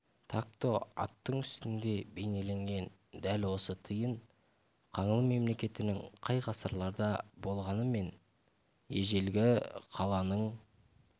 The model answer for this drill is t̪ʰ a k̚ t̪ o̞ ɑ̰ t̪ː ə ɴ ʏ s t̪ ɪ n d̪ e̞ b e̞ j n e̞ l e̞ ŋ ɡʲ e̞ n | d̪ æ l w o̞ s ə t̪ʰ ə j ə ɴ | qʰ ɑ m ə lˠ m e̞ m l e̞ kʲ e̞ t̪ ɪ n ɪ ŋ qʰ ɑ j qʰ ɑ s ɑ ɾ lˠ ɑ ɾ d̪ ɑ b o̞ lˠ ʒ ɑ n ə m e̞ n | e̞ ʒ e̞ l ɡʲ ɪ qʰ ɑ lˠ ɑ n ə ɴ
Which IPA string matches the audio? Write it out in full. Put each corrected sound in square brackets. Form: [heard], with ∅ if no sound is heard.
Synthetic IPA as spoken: t̪ʰ a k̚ t̪ o̞ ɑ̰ t̪ː ə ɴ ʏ s t̪ ɪ n d̪ e̞ b e̞ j n e̞ l e̞ ŋ ɡʲ e̞ n | d̪ æ l w o̞ s ə t̪ʰ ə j ə ɴ | qʰ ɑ [ɴ] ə lˠ m e̞ m l e̞ kʲ e̞ t̪ ɪ n ɪ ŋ qʰ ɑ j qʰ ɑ s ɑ ɾ lˠ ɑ ɾ d̪ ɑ b o̞ lˠ [ʁ] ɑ n ə m e̞ n | e̞ ʒ e̞ l ɡʲ ɪ qʰ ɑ lˠ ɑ n ə ɴ